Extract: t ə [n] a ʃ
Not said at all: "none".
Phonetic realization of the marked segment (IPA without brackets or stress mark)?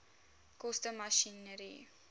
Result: m